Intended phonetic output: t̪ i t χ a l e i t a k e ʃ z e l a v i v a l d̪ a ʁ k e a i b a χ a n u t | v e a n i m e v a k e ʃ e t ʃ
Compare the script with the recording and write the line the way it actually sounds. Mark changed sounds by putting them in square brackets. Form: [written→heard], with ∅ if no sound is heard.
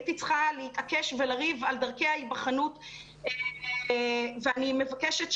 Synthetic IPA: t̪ i [t→t͡s] χ a l e i t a k e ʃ [z→v] e l a [v→ʁ] i v a l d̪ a ʁ k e a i b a χ a n u t | v e a n i m e v a k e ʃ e t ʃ